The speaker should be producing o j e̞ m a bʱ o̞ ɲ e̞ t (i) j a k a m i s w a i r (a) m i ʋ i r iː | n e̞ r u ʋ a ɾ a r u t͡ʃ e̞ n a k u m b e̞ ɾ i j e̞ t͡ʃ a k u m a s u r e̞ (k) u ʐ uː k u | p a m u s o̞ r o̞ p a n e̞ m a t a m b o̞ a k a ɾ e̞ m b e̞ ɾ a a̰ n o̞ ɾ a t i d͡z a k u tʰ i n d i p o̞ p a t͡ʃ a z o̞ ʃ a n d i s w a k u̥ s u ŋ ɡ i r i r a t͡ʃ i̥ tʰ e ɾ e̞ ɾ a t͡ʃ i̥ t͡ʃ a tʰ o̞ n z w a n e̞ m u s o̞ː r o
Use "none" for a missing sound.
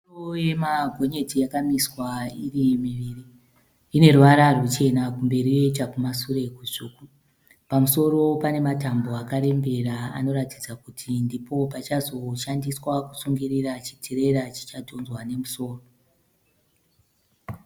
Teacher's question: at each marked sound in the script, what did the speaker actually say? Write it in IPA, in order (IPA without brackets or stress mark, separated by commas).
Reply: i, i, k